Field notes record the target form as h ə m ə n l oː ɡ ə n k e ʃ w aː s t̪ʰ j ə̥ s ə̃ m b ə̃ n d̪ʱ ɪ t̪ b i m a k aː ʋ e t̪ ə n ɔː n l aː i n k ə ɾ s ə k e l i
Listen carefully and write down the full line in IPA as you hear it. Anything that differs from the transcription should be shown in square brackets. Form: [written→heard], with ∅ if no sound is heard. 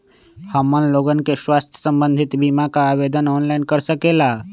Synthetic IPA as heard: h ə m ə n l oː ɡ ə n k e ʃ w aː s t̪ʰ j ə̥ s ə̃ m b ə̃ n d̪ʱ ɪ t̪ b i m a k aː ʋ e [t̪→d̪] ə n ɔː n l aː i n k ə ɾ s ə k e l [i→a]